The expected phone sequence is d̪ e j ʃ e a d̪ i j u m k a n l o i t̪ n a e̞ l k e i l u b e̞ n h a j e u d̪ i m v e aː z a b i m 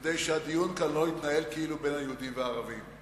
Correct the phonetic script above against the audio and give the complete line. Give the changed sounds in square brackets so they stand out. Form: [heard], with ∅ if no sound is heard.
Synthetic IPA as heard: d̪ e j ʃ e a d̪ i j u [n] k a n l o i t̪ n a e̞ l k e i l u b e̞ n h a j e u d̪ i m v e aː [ʁ] a [v] i m